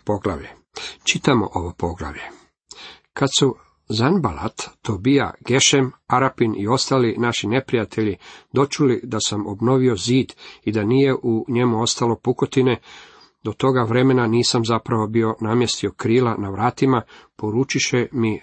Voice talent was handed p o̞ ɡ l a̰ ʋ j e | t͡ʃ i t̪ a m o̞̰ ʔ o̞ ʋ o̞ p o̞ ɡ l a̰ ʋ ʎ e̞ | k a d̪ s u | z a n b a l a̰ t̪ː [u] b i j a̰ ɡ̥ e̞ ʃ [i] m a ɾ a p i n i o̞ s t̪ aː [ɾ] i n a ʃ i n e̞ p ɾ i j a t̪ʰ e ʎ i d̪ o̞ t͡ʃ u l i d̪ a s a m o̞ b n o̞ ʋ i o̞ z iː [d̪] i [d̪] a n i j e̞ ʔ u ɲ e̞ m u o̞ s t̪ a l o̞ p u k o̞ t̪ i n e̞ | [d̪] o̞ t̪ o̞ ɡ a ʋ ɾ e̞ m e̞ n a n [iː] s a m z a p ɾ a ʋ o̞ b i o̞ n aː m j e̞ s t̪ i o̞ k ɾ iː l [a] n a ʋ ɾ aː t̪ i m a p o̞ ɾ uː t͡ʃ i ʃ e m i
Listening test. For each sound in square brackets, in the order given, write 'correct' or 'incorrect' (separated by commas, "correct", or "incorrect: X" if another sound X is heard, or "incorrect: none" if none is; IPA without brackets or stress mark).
incorrect: o, incorrect: e, incorrect: l, correct, correct, correct, correct, correct